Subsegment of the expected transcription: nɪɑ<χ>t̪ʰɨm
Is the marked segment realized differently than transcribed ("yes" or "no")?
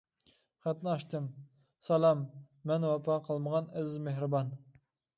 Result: yes